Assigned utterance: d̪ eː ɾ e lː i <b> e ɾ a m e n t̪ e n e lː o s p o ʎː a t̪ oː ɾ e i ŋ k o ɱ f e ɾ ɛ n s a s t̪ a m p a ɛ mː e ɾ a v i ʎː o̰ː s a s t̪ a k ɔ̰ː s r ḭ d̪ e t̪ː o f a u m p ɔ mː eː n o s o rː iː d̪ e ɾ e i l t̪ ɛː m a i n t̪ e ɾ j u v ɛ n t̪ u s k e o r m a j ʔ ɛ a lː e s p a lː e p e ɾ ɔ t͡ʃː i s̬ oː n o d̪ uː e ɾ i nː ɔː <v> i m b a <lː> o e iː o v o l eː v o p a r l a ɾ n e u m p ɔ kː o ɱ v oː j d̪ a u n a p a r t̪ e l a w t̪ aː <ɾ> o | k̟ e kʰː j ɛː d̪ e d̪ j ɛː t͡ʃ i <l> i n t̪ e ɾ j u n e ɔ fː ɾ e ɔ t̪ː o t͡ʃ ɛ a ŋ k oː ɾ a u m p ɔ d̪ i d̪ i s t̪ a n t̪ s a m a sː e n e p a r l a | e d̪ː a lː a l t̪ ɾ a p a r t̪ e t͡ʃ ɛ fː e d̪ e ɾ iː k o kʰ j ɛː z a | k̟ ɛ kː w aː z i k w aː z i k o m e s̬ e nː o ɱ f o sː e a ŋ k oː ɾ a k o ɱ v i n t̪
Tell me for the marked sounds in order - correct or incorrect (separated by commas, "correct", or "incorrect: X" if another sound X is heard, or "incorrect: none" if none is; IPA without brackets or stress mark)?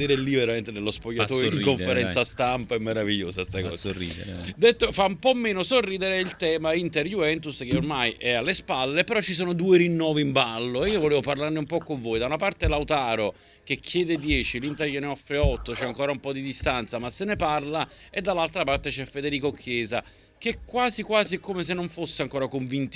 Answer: incorrect: v, correct, correct, correct, correct